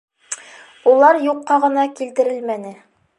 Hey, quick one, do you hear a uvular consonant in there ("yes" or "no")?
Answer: yes